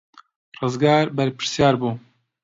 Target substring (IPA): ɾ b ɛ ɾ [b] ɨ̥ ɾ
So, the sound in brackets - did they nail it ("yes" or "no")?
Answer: no